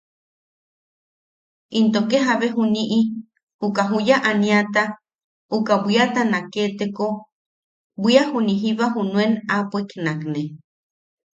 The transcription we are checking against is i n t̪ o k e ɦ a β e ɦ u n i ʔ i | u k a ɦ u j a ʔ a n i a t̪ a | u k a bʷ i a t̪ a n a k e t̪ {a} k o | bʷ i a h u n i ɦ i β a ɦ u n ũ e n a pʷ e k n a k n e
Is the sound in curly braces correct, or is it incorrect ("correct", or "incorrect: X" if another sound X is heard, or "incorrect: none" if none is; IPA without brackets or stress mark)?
incorrect: e